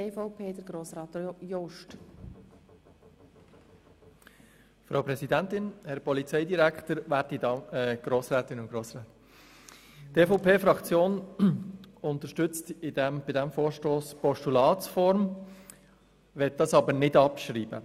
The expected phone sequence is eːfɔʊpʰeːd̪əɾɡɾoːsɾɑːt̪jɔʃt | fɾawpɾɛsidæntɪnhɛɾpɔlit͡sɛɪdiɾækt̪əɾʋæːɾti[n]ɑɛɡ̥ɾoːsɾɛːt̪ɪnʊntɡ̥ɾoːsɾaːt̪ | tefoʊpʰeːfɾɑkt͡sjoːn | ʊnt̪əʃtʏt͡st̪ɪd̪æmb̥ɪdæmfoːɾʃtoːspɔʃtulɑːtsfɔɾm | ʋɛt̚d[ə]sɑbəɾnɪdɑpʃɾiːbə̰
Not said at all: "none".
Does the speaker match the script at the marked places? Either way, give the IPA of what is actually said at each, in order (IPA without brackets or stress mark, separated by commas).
d, ɑ